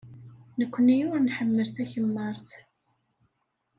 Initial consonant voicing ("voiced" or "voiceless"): voiced